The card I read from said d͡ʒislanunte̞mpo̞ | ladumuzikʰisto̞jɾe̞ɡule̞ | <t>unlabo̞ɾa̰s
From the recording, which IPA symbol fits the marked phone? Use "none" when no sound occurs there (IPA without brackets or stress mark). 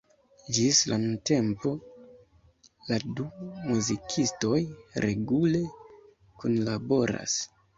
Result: k